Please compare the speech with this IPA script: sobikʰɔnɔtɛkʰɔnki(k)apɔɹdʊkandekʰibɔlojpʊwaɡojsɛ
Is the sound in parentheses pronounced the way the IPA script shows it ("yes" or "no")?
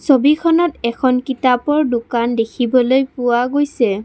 no